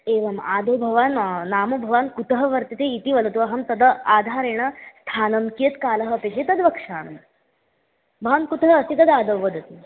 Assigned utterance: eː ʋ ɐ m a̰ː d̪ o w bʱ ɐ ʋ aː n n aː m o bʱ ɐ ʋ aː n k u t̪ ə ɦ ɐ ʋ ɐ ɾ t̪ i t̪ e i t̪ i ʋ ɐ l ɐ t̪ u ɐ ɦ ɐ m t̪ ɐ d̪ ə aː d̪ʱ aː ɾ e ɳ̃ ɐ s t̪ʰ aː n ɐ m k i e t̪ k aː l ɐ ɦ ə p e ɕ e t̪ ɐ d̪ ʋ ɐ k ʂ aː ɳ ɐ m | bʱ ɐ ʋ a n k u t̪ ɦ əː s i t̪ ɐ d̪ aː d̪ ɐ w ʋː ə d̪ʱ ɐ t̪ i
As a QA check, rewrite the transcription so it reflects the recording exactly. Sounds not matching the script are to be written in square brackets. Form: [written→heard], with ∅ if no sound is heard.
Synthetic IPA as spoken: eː ʋ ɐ m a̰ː d̪ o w bʱ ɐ ʋ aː n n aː m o bʱ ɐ ʋ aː n k u t̪ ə ɦ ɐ ʋ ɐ ɾ t̪ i t̪ e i t̪ i ʋ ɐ l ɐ t̪ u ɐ ɦ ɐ m t̪ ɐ d̪ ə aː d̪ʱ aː ɾ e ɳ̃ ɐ s t̪ʰ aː n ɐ m k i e t̪ k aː l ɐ ɦ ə p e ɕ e t̪ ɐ d̪ ʋ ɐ k ʂ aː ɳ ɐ m | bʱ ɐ ʋ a n k u t̪ ɦ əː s i t̪ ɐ d̪ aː d̪ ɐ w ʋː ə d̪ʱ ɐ t̪ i